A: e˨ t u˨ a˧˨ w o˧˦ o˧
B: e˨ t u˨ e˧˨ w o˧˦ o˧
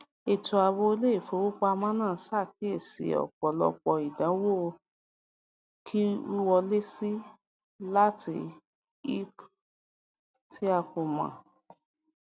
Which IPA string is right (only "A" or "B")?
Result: A